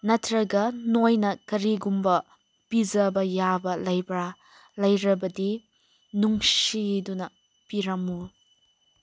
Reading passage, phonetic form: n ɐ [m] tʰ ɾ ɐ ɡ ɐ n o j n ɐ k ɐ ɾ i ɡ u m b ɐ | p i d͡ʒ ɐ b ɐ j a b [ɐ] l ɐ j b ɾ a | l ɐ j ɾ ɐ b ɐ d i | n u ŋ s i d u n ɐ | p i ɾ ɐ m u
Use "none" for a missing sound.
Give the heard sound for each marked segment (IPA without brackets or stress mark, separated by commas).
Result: none, ɐ